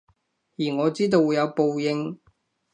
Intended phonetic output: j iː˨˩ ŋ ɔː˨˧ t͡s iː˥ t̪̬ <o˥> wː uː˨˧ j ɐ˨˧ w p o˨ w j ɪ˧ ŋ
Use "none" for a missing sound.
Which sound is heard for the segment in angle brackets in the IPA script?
o˧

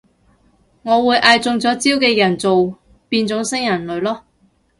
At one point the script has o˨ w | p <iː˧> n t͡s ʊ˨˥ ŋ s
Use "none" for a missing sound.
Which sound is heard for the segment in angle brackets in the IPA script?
iː˧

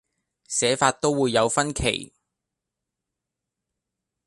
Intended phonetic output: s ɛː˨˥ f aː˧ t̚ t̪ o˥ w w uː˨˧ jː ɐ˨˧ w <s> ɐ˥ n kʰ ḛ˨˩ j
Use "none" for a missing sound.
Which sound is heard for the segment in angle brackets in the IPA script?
f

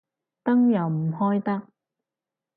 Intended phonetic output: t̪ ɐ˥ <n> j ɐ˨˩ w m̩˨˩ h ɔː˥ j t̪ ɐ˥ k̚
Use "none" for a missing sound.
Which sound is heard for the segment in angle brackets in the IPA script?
ŋ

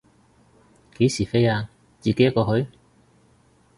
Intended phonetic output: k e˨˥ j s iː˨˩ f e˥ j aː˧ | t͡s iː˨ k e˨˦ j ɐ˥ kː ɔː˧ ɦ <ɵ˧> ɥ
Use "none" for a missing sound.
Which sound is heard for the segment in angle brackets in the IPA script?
ɵ˨˥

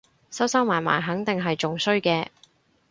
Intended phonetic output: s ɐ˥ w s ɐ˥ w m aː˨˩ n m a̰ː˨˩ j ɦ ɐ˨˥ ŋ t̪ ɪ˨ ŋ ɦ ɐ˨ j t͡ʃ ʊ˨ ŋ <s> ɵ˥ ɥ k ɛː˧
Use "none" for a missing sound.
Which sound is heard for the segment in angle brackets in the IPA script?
s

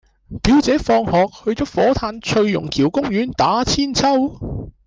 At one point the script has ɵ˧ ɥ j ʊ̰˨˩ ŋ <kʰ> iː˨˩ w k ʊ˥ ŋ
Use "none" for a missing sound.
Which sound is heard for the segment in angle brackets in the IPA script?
kʰ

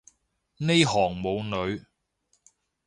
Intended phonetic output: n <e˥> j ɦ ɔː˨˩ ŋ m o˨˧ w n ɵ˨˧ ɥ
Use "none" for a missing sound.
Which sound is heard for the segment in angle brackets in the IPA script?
e˥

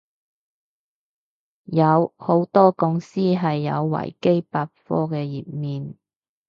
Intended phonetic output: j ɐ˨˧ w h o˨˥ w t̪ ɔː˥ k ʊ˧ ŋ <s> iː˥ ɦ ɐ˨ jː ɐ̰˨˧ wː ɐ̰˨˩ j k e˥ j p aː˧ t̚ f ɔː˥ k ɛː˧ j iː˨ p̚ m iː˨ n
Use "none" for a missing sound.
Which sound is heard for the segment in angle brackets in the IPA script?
s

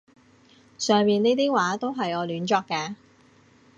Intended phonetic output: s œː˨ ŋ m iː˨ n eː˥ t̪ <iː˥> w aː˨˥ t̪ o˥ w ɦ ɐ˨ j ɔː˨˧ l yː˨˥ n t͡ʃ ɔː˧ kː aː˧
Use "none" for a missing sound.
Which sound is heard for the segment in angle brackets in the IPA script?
iː˥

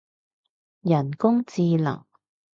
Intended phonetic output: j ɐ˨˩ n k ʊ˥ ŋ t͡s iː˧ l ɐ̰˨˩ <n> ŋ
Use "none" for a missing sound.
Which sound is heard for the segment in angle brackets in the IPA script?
none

